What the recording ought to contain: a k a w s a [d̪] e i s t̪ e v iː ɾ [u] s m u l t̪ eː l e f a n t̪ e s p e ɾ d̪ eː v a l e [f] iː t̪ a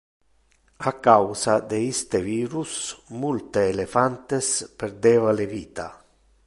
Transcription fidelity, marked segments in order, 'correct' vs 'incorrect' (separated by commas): correct, correct, incorrect